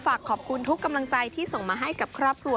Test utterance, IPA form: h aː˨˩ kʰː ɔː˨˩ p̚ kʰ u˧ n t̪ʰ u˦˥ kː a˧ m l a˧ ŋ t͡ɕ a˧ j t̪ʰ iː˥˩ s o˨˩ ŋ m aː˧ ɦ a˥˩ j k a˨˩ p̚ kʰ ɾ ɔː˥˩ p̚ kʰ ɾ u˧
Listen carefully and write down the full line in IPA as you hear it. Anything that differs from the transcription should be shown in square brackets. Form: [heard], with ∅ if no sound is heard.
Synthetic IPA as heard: [f] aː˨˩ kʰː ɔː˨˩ p̚ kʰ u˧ n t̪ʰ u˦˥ kː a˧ m l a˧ ŋ t͡ɕ a˧ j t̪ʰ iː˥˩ s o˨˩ ŋ m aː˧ ɦ a˥˩ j k a˨˩ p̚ kʰ ɾ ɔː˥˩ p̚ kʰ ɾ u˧